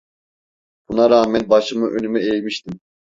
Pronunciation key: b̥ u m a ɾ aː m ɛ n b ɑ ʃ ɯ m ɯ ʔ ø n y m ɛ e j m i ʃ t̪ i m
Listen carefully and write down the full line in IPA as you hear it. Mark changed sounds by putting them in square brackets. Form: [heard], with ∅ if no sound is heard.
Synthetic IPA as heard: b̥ u [n] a ɾ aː m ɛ n b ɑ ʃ ɯ m ɯ ʔ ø n y m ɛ e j m i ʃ t̪ i m